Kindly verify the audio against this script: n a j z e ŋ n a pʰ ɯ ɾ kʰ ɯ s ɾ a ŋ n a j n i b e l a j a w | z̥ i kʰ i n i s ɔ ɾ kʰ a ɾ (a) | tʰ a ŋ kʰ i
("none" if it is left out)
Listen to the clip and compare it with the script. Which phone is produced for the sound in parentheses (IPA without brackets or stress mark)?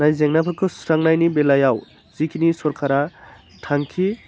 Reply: a